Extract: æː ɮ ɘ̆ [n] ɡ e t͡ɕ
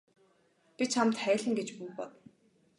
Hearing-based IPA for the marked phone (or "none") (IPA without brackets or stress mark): ŋ